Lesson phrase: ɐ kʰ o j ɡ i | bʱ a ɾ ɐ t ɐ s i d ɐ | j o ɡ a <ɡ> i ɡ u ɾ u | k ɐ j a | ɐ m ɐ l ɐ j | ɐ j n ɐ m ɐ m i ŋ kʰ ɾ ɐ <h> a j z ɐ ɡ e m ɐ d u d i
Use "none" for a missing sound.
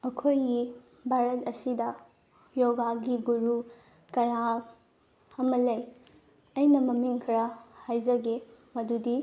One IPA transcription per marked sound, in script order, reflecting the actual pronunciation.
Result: ɡ, h

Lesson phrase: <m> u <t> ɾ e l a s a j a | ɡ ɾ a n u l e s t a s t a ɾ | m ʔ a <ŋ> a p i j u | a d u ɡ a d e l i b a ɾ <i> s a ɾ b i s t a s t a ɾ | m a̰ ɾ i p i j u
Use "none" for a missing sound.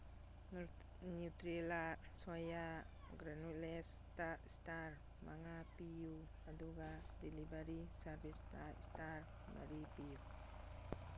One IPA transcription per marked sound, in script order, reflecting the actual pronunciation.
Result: n, t, ŋ, i

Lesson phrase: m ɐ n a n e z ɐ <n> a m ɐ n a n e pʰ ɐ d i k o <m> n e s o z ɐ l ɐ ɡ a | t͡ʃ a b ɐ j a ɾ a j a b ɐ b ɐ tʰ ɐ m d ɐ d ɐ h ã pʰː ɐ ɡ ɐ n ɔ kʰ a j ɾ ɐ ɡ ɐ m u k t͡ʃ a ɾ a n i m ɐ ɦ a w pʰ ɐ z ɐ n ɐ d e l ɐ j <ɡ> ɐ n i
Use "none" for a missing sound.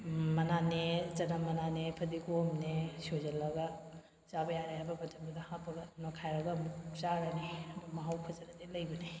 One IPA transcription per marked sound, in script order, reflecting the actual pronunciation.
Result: n, m, b

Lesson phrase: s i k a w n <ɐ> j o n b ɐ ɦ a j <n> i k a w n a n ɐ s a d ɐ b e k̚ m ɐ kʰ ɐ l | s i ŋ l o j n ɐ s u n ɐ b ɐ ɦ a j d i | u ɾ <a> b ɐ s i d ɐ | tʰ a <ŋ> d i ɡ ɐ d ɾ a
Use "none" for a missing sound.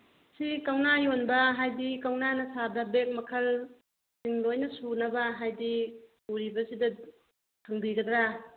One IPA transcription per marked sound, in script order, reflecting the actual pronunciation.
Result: a, d, i, ŋ

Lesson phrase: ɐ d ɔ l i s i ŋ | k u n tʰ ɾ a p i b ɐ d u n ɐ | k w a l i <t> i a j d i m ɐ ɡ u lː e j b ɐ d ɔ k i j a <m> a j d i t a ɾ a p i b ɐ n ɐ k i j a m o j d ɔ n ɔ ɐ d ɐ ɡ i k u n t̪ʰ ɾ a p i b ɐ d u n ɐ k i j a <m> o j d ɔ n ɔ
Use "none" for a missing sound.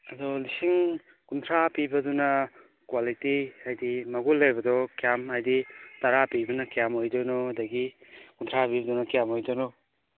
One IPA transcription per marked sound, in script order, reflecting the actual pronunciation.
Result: t, m, m

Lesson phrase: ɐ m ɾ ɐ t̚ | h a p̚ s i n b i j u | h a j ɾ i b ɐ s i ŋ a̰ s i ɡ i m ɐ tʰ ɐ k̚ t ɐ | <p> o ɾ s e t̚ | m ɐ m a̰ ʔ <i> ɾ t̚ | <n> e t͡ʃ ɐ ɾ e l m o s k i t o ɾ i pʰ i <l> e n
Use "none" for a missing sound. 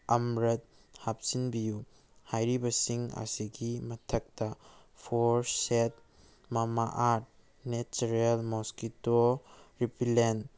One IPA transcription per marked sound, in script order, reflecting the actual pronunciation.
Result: pʰ, a, n, l

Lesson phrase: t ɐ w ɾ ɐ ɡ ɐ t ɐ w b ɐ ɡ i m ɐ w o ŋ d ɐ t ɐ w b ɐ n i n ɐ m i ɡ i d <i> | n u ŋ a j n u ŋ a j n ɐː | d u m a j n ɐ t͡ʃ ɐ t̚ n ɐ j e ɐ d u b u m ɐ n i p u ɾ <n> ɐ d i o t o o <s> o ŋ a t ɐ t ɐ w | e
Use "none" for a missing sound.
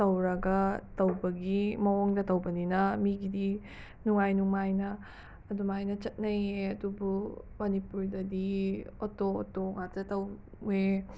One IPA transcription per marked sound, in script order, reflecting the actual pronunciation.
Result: i, d, t

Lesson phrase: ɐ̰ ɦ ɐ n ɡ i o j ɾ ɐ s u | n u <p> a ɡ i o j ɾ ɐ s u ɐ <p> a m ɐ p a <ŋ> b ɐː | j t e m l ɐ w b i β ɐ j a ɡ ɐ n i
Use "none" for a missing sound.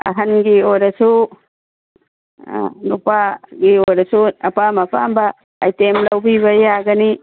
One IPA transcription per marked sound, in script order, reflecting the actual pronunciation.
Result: p, p, m

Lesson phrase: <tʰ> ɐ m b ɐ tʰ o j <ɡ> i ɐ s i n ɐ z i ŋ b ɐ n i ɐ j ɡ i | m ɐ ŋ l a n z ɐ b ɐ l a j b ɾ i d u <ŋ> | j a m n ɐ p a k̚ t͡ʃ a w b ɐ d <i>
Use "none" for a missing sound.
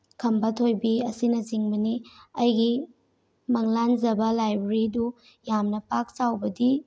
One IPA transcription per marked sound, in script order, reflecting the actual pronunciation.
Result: kʰ, b, none, i

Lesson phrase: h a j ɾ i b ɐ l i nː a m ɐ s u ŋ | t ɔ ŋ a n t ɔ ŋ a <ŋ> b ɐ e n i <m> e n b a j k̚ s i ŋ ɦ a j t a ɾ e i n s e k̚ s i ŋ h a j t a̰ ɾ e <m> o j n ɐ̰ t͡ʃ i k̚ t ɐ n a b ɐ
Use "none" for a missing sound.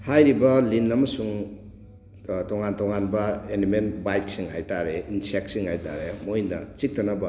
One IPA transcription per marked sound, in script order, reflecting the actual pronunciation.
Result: n, m, m

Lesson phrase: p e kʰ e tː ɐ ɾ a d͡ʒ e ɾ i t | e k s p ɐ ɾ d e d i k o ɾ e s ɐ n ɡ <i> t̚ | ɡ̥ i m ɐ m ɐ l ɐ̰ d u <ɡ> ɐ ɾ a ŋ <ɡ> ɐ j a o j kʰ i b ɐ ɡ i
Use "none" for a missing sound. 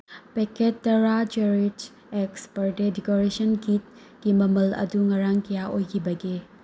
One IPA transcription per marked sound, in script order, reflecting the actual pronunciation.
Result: i, ŋ, k

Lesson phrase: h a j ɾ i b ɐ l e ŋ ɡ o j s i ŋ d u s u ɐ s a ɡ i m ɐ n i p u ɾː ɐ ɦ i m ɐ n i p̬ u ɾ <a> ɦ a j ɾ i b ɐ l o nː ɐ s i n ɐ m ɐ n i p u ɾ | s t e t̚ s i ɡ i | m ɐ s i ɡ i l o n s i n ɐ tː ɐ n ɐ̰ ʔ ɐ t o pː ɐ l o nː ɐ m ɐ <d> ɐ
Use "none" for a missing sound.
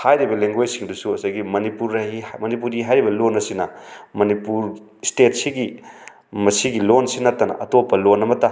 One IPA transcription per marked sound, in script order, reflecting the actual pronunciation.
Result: i, t

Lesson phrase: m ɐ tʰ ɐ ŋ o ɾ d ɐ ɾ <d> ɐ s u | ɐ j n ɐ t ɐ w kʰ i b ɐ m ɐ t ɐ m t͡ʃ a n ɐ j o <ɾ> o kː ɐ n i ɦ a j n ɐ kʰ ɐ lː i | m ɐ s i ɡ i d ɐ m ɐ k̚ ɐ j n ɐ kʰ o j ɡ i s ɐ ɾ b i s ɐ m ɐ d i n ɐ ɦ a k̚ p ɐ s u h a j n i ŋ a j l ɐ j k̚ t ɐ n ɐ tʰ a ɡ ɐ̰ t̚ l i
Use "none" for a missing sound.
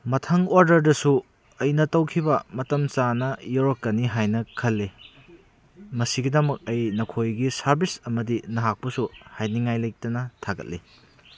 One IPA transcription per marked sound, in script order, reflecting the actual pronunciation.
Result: d, ɾ

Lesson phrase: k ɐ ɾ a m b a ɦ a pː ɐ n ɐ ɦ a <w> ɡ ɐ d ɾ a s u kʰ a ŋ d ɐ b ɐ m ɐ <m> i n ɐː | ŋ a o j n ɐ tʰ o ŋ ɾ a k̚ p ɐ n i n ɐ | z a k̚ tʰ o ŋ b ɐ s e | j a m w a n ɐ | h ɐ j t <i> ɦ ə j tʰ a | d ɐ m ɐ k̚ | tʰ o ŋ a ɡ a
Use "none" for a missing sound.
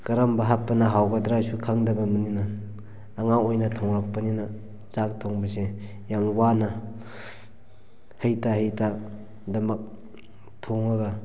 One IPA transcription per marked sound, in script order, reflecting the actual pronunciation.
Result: w, n, a

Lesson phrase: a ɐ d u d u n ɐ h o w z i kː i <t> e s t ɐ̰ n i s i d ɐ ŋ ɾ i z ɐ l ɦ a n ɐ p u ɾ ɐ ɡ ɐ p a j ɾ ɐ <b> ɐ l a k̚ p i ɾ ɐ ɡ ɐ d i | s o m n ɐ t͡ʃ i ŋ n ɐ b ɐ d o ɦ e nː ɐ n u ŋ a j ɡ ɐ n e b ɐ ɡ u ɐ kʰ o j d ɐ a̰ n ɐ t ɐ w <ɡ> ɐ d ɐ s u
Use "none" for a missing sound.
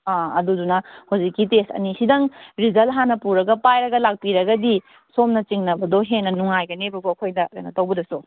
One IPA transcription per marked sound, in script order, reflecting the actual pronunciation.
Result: t, ɡ, b

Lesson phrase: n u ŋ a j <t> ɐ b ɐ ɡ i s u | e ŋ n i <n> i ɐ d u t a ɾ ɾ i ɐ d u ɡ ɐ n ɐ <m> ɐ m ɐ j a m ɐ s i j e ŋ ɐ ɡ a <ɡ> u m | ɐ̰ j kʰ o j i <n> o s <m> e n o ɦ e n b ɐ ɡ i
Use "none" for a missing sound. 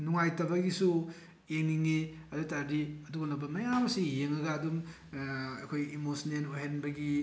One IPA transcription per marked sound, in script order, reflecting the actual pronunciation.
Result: t, ŋ, b, d, m, n

